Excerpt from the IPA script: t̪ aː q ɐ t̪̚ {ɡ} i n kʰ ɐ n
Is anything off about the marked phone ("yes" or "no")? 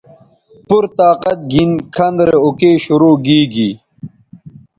no